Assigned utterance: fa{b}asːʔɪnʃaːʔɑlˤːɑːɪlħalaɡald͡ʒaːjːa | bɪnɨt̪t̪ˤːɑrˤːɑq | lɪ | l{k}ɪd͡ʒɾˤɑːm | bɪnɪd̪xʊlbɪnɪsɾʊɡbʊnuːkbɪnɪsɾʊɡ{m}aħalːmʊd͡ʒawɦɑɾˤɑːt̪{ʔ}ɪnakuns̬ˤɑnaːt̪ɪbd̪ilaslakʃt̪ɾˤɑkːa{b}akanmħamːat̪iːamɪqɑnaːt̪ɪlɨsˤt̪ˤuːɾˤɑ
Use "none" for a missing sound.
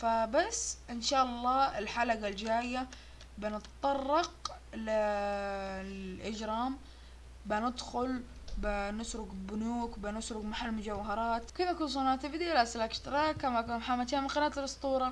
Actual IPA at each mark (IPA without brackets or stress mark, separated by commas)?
b, ʔ, m, k, m